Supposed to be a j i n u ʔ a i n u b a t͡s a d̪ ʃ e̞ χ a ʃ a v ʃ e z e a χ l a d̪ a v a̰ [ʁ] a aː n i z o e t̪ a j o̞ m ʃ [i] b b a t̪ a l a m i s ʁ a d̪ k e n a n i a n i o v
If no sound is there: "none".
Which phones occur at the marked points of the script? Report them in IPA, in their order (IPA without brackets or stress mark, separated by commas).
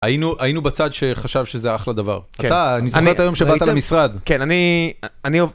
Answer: ʁ, e